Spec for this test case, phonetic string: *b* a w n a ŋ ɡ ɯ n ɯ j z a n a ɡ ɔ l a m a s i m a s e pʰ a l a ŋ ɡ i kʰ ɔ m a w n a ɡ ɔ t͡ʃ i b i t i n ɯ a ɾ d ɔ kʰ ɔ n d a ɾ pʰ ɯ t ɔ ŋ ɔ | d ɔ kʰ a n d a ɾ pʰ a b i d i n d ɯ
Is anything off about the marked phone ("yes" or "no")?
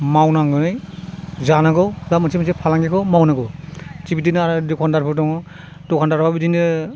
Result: yes